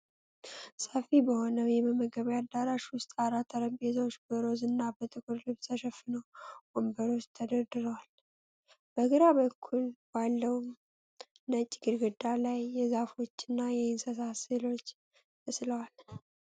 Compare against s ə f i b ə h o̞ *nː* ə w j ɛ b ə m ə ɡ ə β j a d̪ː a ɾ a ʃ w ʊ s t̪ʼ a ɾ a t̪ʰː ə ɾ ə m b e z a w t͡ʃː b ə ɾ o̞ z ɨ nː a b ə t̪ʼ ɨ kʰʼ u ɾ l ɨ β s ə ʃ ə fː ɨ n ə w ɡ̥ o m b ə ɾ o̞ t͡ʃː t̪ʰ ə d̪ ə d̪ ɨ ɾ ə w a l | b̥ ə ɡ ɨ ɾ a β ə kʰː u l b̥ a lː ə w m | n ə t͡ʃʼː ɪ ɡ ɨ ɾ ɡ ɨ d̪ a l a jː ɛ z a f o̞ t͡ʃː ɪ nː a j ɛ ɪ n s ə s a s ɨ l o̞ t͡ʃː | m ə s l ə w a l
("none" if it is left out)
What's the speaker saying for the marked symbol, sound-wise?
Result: n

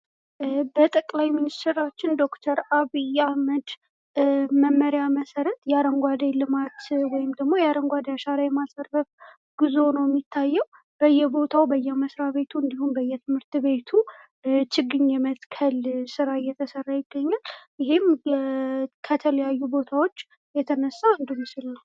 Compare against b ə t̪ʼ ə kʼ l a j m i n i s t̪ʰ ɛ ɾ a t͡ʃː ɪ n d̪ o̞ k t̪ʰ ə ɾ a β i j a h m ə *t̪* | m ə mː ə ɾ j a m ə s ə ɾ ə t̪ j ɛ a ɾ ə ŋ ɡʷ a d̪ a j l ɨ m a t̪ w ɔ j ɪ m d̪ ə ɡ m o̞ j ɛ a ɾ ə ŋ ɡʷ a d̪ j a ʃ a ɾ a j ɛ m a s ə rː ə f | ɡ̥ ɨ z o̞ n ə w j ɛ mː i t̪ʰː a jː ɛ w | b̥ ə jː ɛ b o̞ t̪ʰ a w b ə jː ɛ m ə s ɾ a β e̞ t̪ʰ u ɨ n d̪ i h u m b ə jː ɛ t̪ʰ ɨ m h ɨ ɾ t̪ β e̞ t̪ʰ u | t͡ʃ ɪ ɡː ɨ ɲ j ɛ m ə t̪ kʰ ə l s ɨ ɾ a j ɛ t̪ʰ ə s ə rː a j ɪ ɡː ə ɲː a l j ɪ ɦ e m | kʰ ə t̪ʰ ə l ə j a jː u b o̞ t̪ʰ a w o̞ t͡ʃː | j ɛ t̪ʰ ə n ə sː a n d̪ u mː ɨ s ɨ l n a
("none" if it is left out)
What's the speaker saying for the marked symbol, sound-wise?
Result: d̪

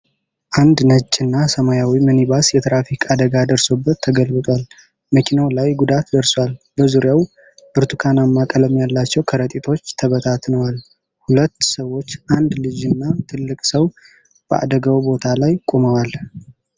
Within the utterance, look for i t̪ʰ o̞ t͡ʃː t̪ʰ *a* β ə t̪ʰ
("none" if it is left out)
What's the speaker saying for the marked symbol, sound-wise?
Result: ə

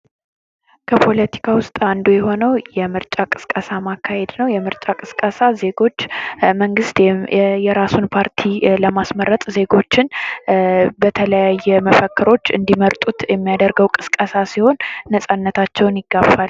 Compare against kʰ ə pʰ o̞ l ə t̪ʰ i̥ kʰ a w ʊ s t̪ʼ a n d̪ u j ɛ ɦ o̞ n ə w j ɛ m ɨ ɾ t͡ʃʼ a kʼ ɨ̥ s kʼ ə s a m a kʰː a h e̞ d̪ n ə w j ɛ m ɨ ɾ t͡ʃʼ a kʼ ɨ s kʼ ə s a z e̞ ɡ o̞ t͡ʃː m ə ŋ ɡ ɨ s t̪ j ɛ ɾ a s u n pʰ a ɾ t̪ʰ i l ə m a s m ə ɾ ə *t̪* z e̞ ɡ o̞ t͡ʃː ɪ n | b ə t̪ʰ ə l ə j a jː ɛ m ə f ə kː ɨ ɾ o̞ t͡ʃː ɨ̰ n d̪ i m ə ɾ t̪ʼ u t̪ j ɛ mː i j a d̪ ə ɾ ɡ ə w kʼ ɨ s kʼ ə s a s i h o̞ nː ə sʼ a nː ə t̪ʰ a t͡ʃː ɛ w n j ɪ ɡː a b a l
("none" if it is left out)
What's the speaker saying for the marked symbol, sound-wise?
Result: t̪ʼ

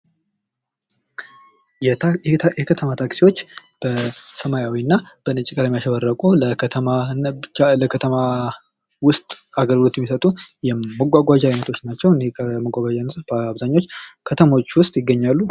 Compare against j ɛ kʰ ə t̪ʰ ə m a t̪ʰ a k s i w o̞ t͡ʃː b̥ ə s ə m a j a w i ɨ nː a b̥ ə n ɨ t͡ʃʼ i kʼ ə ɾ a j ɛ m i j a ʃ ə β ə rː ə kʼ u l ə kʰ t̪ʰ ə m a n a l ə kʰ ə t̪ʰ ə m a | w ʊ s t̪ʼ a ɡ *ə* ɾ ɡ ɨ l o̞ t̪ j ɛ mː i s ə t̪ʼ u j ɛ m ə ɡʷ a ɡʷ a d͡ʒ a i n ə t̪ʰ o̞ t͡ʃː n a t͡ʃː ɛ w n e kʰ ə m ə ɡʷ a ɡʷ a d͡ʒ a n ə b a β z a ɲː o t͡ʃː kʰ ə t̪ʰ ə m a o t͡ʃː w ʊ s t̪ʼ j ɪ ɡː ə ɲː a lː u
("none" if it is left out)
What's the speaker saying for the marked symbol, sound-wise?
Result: ə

